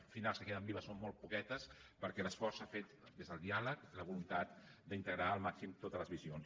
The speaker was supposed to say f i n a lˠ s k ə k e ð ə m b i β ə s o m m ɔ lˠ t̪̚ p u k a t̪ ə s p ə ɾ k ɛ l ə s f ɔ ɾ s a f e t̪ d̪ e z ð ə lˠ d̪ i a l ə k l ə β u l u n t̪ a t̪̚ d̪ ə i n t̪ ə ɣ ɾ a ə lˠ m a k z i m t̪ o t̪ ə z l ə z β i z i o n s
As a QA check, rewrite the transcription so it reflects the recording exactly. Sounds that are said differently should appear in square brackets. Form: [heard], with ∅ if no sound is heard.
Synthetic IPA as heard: f i n a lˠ s k ə k e ð ə m b i β ə s o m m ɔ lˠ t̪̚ p u k [ɛ] t̪ ə s p ə ɾ k ɛ l ə s f ɔ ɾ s a f e t̪ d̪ e z ð ə lˠ d̪ i a l ə k l ə β u l u n t̪ a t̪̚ d̪ ə i n t̪ ə ɣ ɾ a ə lˠ m a k [s] i m t̪ o t̪ ə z l ə z β i z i o n s